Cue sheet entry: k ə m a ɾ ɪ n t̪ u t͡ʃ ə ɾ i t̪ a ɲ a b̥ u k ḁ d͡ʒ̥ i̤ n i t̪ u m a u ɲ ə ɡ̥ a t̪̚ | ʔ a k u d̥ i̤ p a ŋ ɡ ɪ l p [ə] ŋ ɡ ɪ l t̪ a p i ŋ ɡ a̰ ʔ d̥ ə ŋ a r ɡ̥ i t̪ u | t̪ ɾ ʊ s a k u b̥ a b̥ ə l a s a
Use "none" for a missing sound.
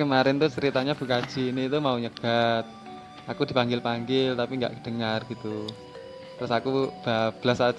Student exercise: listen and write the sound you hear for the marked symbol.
a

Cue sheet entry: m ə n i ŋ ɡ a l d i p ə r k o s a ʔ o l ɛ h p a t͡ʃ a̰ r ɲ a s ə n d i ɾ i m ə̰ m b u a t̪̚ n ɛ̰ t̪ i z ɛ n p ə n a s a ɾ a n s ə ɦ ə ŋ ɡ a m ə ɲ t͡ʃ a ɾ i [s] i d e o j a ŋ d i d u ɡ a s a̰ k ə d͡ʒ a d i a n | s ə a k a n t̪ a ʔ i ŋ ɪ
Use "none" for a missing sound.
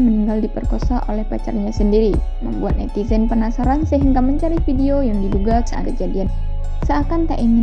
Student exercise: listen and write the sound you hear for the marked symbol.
f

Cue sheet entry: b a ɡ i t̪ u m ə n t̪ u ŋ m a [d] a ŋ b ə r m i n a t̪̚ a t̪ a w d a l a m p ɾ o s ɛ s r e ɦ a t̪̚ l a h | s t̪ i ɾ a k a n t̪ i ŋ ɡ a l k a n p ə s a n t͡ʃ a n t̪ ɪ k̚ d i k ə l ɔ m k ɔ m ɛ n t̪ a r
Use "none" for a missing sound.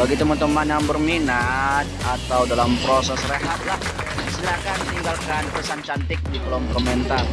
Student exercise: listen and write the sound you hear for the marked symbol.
n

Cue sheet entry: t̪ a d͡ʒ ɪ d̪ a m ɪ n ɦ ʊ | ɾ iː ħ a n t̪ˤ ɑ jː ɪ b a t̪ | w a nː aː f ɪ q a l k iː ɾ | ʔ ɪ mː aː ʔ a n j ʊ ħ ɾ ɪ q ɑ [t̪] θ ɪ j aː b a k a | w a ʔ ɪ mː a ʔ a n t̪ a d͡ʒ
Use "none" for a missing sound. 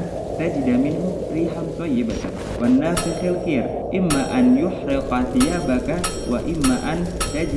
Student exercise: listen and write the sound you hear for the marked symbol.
none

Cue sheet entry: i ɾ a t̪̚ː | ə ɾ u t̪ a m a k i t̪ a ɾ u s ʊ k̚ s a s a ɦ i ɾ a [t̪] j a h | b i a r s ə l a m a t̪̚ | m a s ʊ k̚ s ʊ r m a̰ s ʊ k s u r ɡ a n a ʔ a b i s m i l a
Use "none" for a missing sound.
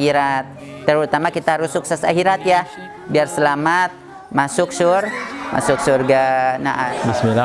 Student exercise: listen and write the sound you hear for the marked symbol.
t̪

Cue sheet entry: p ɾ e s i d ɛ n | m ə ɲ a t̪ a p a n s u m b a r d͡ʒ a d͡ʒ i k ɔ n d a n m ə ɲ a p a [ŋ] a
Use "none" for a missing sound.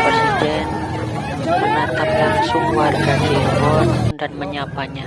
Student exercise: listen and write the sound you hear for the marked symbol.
ɲ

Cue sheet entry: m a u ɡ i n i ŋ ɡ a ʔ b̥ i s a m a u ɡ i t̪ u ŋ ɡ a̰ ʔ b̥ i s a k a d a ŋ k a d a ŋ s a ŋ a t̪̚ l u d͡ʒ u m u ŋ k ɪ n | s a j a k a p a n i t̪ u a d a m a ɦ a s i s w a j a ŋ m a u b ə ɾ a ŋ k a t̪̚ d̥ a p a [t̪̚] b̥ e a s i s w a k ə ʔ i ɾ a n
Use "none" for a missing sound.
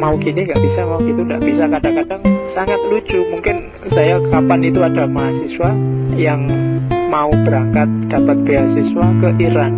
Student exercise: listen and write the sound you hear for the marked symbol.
t̪̚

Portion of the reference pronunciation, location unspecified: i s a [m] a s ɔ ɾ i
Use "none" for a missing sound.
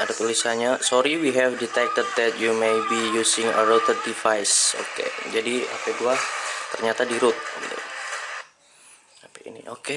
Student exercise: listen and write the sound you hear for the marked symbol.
ɲ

